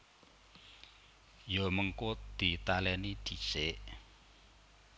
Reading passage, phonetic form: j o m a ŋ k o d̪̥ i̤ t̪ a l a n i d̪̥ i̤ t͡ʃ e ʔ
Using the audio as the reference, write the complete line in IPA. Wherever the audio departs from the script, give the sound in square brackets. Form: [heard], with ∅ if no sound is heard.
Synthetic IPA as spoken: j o m [ə] ŋ k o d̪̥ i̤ t̪ a l [ɛ] n i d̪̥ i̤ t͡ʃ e ʔ